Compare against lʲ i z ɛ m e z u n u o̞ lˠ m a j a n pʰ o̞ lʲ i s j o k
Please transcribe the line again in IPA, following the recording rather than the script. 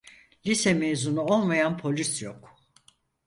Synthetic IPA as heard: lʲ i s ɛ m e z u n u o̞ lˠ m a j a n pʰ o̞ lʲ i s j o k